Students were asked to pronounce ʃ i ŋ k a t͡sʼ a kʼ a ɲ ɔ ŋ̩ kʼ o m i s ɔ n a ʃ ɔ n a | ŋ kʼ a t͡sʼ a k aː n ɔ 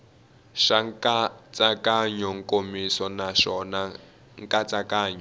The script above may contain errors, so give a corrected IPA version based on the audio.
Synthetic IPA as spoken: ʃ a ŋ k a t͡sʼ a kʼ a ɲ ɔ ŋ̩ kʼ o m i s ɔ n a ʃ ɔ n a | ŋ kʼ a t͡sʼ a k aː ɲ ɔ